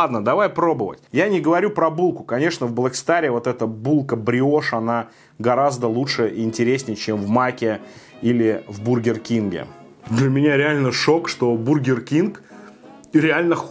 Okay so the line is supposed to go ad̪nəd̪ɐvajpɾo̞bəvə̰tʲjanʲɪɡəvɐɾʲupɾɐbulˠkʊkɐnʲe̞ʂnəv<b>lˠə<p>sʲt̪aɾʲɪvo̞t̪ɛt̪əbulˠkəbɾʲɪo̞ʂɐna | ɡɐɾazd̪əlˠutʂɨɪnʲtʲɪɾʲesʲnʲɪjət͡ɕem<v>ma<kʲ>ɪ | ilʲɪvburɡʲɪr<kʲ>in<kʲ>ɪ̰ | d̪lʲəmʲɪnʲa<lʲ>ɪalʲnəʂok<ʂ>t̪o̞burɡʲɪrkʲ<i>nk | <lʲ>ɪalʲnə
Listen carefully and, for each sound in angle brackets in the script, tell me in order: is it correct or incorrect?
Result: correct, incorrect, correct, correct, correct, incorrect, incorrect, correct, correct, incorrect

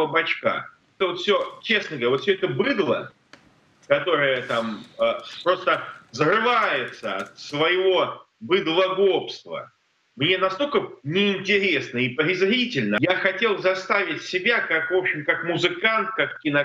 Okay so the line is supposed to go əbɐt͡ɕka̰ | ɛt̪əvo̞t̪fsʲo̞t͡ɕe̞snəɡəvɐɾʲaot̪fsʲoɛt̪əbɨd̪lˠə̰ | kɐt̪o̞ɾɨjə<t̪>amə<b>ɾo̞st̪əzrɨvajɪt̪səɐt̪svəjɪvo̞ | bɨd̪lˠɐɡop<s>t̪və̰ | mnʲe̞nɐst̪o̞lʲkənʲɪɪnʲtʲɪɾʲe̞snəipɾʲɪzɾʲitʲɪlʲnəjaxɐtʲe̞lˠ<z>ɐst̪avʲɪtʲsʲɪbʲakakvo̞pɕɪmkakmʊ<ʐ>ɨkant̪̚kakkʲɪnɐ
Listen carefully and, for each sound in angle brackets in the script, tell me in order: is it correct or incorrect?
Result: correct, incorrect, correct, correct, incorrect

